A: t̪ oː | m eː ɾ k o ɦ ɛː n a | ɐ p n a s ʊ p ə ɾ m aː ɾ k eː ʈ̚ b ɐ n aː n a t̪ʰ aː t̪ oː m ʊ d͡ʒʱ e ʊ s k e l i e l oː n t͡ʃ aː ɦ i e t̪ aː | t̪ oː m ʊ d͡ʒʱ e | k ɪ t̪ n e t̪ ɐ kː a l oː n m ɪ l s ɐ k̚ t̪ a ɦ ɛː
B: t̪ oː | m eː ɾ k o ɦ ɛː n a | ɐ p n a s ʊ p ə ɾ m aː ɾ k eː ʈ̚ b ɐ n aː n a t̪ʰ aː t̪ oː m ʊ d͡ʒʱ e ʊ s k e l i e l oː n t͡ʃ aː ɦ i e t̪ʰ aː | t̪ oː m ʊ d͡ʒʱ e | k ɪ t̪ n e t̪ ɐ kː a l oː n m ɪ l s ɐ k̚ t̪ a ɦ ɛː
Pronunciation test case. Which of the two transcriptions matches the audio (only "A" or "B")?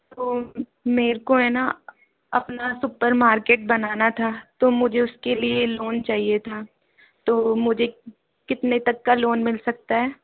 B